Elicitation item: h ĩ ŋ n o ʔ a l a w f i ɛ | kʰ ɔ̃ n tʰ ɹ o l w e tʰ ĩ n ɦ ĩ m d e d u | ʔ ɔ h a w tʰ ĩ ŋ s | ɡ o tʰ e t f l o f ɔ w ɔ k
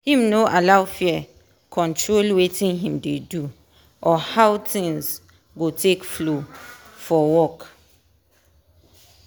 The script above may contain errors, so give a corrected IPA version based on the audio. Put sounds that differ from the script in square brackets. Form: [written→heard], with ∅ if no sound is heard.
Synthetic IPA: h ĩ [ŋ→m] n o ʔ a l a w f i ɛ | kʰ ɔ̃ n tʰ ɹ o l w e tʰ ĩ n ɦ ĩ m d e d u | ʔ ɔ h a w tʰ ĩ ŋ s | ɡ o tʰ e [t→k] f l o f ɔ w ɔ k